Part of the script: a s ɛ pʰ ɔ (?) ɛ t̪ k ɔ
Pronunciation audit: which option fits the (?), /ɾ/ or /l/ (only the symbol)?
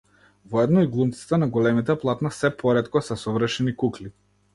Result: ɾ